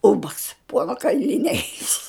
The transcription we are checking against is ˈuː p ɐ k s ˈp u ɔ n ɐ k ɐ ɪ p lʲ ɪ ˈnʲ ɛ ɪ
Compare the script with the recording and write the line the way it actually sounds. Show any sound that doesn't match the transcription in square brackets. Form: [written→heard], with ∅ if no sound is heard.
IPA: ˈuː [p→b] ɐ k s ˈp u ɔ n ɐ k ɐ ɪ [p→∅] lʲ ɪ ˈnʲ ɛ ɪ

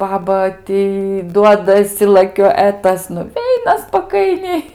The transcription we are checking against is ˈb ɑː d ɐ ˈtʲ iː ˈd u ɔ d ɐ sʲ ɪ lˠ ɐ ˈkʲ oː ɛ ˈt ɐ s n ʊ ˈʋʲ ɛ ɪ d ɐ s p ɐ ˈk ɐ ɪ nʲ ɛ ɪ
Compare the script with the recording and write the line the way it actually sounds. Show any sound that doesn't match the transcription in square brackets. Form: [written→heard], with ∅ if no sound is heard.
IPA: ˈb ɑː [d→b] ɐ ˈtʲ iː ˈd u ɔ d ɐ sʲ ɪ lˠ ɐ ˈkʲ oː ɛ ˈt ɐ s n ʊ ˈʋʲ ɛ ɪ [d→n] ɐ s p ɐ ˈk ɐ ɪ nʲ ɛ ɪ

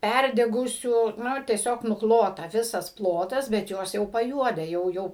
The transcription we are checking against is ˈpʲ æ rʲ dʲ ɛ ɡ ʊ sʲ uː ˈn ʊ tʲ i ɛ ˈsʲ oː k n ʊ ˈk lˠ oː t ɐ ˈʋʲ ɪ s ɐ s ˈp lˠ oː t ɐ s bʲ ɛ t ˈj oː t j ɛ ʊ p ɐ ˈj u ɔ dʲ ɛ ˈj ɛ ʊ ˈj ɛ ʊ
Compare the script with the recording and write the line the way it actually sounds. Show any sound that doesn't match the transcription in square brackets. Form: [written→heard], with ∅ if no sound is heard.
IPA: ˈpʲ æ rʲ dʲ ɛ ɡ ʊ sʲ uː ˈn ʊ tʲ i ɛ ˈsʲ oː k n ʊ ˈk lˠ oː t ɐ ˈʋʲ ɪ s ɐ s ˈp lˠ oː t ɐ s bʲ ɛ t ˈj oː [t→s] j ɛ ʊ p ɐ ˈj u ɔ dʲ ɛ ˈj ɛ ʊ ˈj ɛ ʊ

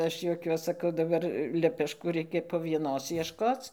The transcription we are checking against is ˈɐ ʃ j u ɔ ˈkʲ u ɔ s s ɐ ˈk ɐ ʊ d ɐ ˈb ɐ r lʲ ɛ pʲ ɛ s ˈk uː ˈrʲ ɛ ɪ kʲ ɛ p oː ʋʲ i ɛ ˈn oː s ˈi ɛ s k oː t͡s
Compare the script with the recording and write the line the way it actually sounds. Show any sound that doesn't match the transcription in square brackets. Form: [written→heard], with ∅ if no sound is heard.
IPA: ˈɐ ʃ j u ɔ ˈkʲ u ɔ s s ɐ ˈk ɐ ʊ d ɐ ˈb ɐ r lʲ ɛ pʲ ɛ [s→ʃ] ˈk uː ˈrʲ ɛ ɪ kʲ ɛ p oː ʋʲ i ɛ ˈn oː s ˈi ɛ [s→ʃ] k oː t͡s

